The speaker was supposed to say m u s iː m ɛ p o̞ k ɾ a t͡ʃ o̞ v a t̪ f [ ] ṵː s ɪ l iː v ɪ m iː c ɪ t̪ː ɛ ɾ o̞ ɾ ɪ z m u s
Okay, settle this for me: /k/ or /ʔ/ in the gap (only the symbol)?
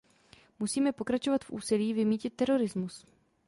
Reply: ʔ